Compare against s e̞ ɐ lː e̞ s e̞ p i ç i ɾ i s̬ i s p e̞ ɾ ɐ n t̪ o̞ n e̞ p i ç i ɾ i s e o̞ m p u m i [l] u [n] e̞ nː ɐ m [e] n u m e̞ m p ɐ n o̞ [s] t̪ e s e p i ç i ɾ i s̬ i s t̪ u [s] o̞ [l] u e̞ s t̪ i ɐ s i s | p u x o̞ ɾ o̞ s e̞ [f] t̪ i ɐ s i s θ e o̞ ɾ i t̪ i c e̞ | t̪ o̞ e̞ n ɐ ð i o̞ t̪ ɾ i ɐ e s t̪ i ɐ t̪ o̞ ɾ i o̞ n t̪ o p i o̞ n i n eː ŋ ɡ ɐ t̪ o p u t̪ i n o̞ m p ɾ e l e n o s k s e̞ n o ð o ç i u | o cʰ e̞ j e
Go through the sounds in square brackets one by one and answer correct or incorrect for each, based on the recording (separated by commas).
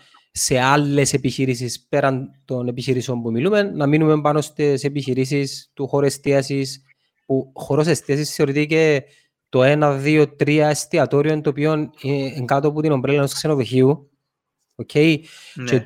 correct, incorrect, incorrect, correct, incorrect, incorrect, incorrect